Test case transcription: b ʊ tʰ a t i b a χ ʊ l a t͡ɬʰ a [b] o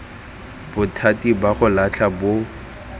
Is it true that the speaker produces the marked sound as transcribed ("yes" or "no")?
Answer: yes